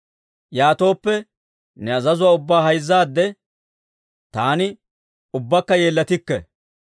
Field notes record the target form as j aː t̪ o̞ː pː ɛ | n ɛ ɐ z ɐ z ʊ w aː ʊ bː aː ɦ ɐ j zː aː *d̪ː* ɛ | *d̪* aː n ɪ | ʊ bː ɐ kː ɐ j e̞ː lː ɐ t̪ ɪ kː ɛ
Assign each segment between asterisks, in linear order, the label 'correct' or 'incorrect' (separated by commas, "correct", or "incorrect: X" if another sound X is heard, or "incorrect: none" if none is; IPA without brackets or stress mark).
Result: correct, incorrect: t̪